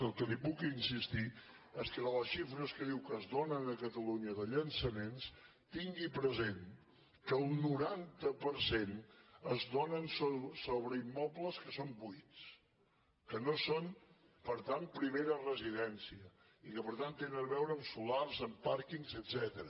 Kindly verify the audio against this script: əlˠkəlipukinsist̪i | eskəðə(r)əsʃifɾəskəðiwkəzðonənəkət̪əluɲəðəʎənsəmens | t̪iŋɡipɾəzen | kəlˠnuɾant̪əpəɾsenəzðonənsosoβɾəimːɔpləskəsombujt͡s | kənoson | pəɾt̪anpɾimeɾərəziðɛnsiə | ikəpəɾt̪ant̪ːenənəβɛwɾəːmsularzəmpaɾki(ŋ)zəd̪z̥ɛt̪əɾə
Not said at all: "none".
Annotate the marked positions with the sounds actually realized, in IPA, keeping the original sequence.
l, ŋ

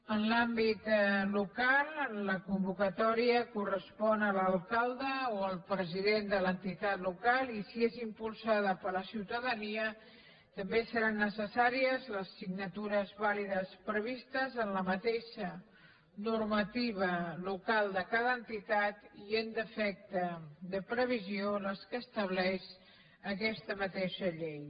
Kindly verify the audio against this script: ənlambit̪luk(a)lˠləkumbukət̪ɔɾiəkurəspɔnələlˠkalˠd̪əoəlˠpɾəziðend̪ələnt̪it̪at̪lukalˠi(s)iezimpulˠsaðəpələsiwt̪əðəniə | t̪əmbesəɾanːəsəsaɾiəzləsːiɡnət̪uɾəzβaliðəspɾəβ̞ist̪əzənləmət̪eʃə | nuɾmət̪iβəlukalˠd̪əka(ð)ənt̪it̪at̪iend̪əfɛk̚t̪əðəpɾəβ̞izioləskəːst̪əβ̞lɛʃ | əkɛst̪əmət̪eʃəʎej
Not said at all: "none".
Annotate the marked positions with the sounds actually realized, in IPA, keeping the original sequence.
a, s, ð

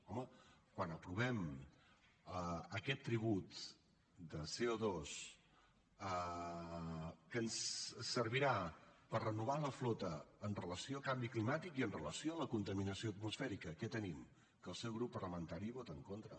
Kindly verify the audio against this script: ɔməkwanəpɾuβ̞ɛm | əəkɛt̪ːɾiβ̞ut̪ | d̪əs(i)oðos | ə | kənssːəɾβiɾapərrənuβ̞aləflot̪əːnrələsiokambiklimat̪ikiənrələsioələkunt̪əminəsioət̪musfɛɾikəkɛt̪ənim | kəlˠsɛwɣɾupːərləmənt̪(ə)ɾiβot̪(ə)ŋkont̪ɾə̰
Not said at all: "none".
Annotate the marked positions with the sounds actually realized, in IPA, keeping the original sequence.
e, a, ə

